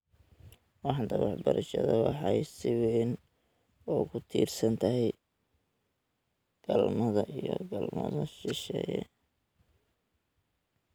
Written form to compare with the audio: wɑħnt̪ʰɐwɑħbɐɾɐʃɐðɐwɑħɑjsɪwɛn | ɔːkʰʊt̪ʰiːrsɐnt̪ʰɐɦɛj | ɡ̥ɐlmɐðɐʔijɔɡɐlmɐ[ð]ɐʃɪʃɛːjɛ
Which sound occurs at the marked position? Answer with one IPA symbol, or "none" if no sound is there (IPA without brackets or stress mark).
ð